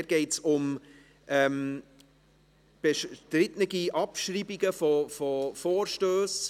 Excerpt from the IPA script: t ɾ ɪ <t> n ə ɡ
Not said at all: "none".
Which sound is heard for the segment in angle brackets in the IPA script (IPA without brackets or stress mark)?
t